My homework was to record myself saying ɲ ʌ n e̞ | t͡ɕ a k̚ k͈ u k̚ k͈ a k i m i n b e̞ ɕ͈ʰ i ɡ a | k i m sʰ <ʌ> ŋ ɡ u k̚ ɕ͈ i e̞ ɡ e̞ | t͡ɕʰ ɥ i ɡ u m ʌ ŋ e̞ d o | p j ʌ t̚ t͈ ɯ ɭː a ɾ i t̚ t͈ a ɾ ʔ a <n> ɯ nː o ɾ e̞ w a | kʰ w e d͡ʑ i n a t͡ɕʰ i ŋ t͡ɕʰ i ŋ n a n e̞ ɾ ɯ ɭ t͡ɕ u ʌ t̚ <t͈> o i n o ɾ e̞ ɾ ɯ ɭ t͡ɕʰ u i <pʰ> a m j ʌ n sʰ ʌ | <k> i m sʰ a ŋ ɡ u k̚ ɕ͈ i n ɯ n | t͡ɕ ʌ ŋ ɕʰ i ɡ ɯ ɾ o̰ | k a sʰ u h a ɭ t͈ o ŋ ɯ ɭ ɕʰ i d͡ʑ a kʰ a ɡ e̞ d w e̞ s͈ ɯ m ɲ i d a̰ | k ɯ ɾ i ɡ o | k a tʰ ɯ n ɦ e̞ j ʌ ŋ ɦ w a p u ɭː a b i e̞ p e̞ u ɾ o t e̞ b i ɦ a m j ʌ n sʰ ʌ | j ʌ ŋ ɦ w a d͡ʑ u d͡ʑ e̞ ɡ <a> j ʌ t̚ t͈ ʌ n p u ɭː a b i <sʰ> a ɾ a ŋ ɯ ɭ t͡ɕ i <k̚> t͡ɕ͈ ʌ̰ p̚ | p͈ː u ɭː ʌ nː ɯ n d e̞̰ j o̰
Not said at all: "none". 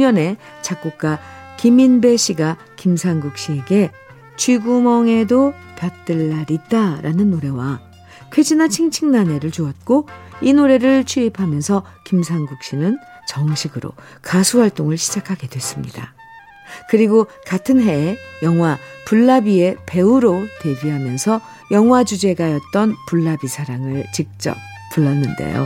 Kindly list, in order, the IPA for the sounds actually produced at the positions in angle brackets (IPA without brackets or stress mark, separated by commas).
a, n, k͈, pʰ, k, a, sʰ, k̚